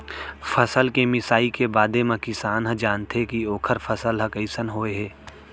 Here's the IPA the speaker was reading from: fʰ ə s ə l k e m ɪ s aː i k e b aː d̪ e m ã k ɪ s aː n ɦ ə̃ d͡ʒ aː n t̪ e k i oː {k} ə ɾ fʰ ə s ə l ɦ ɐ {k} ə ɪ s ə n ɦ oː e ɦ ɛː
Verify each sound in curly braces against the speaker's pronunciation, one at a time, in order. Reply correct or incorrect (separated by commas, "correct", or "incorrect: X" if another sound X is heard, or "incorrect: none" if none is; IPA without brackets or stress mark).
incorrect: kʰ, correct